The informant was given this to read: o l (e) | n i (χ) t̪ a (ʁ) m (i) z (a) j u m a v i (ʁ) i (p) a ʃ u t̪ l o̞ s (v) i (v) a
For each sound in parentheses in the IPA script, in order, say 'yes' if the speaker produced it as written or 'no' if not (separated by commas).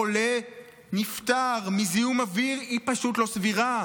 yes, no, yes, yes, no, yes, yes, yes, no